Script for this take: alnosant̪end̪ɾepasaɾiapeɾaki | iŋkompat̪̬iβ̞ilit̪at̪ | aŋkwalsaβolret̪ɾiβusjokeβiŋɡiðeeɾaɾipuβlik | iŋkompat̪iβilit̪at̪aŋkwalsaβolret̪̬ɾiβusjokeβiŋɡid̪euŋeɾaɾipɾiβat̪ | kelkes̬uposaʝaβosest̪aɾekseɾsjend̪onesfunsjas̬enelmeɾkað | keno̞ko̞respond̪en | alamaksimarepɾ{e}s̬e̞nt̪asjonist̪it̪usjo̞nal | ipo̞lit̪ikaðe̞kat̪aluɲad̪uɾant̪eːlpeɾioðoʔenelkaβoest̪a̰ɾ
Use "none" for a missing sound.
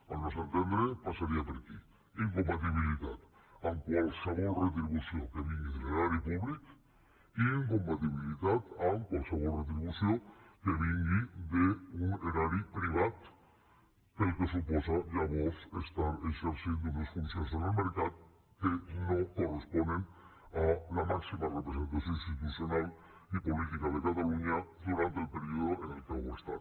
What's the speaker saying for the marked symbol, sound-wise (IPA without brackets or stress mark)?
e